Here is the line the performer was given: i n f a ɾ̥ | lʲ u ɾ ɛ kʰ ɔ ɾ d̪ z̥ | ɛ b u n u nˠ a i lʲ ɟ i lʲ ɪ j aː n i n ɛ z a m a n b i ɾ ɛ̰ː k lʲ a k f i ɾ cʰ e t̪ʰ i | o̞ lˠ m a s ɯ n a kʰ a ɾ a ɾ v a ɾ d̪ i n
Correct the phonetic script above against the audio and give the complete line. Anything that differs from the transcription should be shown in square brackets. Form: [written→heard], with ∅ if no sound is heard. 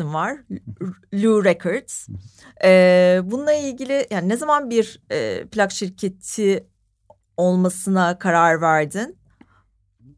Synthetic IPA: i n [f→v] a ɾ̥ | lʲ u ɾ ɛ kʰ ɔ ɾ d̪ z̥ | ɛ b u n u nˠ a i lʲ ɟ i lʲ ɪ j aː n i n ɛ z a m a n b i ɾ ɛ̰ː [k→p] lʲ a k [f→ʃ] i ɾ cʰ e t̪ʰ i | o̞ lˠ m a s ɯ n a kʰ a ɾ a ɾ v [a→æ] ɾ d̪ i n